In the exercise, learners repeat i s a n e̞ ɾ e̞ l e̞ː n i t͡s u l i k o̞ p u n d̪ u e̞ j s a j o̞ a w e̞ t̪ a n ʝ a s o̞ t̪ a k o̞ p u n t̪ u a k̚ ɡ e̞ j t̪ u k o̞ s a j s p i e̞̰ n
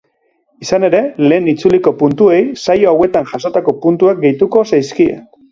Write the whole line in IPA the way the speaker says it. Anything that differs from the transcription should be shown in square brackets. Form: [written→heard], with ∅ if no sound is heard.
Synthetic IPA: i s a n e̞ ɾ e̞ l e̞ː n i t͡s u l i k o̞ p u n [d̪→t̪] u e̞ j s a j o̞ a w e̞ t̪ a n ʝ a s o̞ t̪ a k o̞ p u n t̪ u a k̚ ɡ e̞ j t̪ u k o̞ s a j s [p→k] i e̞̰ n